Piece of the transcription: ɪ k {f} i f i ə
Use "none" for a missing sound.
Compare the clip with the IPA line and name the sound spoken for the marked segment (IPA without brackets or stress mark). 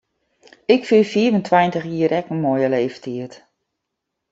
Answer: f